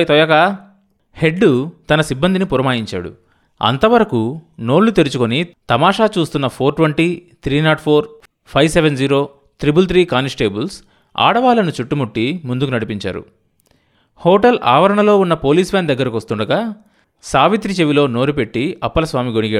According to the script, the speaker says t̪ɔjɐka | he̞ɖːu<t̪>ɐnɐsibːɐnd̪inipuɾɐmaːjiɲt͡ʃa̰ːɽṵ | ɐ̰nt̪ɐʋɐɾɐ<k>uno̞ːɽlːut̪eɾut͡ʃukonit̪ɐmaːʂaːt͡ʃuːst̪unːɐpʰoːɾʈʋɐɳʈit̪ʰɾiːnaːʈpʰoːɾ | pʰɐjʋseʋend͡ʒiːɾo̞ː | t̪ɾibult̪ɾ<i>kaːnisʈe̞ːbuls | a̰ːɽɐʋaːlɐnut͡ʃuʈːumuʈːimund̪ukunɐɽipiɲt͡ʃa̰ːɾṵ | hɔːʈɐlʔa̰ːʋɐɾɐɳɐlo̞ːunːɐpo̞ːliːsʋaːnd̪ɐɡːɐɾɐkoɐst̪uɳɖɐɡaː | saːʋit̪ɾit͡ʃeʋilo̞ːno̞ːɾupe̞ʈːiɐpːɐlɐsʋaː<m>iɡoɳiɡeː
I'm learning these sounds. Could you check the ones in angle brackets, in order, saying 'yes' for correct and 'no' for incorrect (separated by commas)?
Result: yes, yes, no, yes